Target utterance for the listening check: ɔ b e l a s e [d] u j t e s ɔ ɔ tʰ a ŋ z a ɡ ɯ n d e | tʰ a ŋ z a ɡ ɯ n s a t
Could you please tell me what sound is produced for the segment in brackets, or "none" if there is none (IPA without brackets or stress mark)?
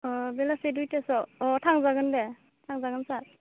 d